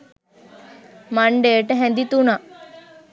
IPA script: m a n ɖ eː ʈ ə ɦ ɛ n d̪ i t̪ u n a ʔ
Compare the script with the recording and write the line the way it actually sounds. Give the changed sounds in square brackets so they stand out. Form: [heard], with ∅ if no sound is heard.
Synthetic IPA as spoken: m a [ɳ] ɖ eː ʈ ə ɦ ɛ n d̪ i t̪ u n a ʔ